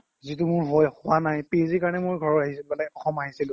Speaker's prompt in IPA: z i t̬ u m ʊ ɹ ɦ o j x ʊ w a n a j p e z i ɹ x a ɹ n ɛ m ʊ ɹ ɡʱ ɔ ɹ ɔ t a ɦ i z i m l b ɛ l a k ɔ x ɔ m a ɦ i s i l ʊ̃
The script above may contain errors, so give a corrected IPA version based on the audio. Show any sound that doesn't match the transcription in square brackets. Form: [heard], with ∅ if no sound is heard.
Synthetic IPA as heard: z i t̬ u m ʊ ɹ ɦ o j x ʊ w a n a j p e z i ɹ [k] a ɹ n ɛ m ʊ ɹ ɡʱ ɔ ɹ ɔ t a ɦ i [s] i [∅] l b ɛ l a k ɔ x ɔ m a ɦ i s i l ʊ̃